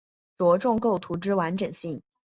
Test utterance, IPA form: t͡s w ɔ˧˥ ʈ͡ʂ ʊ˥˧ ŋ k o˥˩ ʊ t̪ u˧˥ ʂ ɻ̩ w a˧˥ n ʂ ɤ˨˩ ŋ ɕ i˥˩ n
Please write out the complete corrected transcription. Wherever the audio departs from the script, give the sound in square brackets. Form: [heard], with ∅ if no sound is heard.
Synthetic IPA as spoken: t͡s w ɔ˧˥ ʈ͡ʂ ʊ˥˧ ŋ k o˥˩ ʊ [t̪ʰ] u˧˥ [ʈ͡ʂ] ɻ̩ w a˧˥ n [ʈ͡ʂ] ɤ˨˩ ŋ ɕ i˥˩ [ŋ]